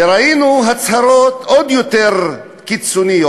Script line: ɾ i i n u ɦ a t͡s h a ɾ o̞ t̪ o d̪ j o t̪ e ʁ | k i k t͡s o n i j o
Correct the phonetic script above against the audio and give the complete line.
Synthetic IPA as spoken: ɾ a i n u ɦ a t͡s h a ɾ o̞ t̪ o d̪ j o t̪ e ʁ | k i t͡s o n i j o